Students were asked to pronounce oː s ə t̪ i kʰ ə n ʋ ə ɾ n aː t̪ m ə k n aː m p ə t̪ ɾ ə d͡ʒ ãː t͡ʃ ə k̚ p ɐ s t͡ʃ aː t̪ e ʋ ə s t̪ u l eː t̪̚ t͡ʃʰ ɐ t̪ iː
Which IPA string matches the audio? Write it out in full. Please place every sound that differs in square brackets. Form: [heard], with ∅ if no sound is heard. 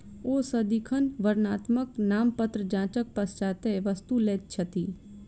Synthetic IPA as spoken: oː s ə [d̪] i kʰ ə n ʋ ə ɾ n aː t̪ m ə k n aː m p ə t̪ ɾ ə d͡ʒ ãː t͡ʃ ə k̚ p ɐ s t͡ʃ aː t̪ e ʋ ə s t̪ u l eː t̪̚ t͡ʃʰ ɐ t̪ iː